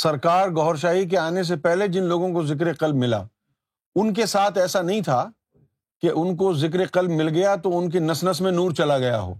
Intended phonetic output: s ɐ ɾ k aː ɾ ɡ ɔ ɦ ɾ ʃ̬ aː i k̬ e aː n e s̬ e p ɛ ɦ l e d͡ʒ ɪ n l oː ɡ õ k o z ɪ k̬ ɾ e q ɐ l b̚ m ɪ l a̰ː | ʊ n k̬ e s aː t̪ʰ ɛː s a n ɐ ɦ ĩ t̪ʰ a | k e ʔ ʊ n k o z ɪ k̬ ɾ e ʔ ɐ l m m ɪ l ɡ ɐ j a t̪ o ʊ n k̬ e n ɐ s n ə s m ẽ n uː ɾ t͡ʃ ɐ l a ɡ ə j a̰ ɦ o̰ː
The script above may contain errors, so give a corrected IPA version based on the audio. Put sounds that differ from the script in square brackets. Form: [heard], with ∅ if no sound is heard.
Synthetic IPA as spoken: s ɐ ɾ k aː ɾ ɡ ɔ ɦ ɾ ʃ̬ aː i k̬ e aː n e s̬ e p ɛ ɦ l e d͡ʒ ɪ n l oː ɡ õ k o z ɪ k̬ ɾ e q ɐ l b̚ m ɪ l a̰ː | ʊ n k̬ e s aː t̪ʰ ɛː s a n ɐ ɦ ĩ t̪ʰ a | k e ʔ ʊ n k o z ɪ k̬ ɾ e [q] ɐ l [b] m ɪ l ɡ ɐ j a t̪ o ʊ n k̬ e n ɐ s n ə s m ẽ n uː ɾ t͡ʃ ɐ l a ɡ [ɐ] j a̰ ɦ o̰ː